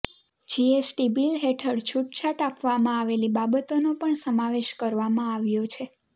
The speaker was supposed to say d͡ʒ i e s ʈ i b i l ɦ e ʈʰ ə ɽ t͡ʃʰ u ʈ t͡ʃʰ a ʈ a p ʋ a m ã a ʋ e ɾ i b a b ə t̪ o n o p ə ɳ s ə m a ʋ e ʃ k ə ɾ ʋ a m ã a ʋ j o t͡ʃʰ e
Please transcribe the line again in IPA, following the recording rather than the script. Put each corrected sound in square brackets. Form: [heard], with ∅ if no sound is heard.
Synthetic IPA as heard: d͡ʒ i e s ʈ i b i l ɦ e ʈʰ ə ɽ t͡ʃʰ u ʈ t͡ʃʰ a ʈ a p ʋ a m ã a ʋ e [l] i b a b ə t̪ o n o p ə ɳ s ə m a ʋ e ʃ k ə ɾ ʋ a m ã a ʋ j o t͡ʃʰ e